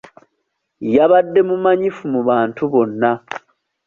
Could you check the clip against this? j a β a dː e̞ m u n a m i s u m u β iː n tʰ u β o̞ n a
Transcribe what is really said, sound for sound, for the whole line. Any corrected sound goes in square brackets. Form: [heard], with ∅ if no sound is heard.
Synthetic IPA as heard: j a β a dː e̞ m u [m] a [ɲ] i [f] u m u β [aː] n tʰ u β o̞ [nː] a